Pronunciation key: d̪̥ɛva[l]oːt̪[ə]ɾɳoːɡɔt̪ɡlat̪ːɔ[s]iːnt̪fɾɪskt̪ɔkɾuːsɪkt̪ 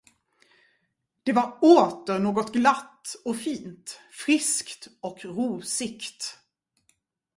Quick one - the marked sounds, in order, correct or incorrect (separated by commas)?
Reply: incorrect, correct, incorrect